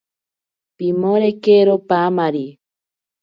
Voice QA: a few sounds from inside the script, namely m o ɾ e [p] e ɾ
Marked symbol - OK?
no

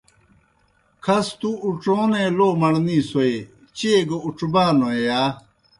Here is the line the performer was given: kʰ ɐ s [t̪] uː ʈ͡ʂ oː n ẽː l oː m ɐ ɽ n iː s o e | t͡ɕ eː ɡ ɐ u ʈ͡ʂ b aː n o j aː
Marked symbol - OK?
yes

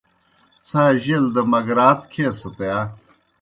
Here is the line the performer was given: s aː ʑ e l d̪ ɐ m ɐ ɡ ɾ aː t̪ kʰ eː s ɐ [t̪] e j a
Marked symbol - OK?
yes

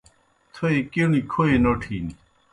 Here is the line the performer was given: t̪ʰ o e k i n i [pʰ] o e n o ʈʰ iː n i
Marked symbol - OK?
no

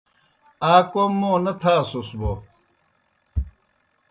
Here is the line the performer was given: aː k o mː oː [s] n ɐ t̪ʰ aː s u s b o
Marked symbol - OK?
no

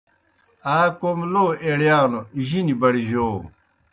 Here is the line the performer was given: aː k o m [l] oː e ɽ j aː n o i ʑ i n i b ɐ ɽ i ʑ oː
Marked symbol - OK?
yes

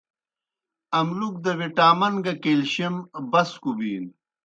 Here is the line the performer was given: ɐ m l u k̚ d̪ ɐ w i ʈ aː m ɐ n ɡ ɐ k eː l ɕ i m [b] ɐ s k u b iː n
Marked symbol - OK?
yes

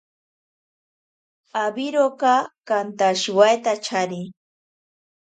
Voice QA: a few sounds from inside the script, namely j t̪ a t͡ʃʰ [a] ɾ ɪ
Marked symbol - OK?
yes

